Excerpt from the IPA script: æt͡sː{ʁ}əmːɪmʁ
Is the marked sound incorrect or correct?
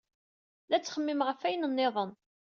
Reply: incorrect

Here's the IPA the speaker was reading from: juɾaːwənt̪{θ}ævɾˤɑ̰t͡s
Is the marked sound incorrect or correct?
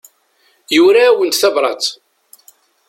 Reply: correct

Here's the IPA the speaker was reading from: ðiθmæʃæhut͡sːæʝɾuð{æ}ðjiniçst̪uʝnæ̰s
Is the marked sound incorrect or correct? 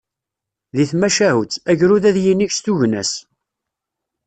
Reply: correct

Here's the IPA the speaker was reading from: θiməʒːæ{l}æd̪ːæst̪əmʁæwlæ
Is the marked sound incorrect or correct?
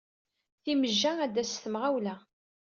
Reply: incorrect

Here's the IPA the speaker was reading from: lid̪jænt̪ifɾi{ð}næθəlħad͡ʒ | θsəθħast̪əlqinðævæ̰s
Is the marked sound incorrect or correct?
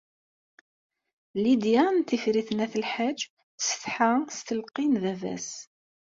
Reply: incorrect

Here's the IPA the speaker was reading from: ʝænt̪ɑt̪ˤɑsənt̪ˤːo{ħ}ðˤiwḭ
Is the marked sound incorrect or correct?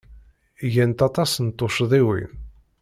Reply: incorrect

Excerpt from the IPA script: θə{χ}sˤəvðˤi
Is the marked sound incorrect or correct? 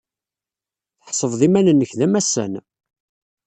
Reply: incorrect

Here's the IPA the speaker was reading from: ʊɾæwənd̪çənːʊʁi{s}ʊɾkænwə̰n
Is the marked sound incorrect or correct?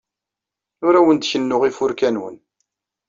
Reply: incorrect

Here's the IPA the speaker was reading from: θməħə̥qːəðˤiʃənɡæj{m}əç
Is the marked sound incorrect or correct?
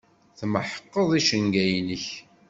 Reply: incorrect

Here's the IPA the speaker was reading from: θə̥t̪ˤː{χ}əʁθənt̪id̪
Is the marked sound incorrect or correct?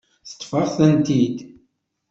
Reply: incorrect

